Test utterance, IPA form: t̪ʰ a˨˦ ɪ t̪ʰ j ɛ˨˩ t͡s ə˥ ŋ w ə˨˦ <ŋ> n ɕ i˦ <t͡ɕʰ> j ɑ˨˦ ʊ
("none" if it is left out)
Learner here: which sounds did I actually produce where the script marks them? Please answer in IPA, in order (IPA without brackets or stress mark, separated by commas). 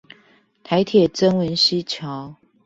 none, t͡ɕʰ